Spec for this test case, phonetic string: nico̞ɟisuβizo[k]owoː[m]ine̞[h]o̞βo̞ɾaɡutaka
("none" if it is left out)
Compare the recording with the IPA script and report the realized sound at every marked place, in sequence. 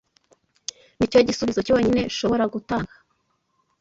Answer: c, ɲ, ʃ

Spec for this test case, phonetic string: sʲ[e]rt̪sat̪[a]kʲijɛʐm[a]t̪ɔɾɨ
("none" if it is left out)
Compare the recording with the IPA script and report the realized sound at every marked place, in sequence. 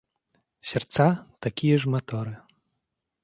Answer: ɛ, a, a

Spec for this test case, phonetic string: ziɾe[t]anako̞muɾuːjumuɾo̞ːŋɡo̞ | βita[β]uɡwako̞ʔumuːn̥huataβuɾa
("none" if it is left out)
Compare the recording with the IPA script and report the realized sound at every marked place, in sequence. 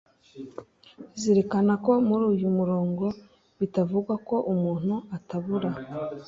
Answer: k, v

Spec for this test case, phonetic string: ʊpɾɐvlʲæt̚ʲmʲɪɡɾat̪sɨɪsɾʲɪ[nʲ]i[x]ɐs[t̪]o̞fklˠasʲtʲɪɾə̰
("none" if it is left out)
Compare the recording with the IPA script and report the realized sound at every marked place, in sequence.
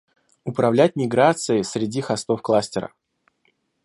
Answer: dʲ, x, t̪

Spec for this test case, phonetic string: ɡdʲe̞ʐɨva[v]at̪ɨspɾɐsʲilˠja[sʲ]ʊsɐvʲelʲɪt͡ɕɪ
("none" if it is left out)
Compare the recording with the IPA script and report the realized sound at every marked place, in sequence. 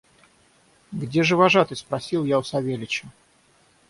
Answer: ʐ, none

